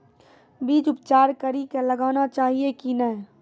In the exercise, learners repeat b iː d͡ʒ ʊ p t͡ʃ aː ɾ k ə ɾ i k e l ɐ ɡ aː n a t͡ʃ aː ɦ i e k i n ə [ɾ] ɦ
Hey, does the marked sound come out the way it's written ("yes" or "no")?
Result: no